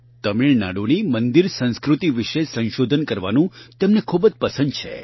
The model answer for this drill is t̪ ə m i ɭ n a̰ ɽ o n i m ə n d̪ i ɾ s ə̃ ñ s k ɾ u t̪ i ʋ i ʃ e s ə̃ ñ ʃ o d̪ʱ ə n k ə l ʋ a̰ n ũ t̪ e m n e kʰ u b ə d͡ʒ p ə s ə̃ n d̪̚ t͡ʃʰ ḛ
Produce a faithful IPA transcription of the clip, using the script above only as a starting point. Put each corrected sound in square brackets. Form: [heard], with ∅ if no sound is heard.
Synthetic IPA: t̪ ə m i ɭ n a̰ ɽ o n i m ə n d̪ i ɾ s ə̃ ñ s k ɾ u t̪ i ʋ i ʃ e s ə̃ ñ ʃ o d̪ʱ ə n k ə [ɾ] ʋ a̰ n ũ t̪ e m n e kʰ u b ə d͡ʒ p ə s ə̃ n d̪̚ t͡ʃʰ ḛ